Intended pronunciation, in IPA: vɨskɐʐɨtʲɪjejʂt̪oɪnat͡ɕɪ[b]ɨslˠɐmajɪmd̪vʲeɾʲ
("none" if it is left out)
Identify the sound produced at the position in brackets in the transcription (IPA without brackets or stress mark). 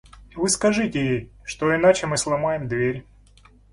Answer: m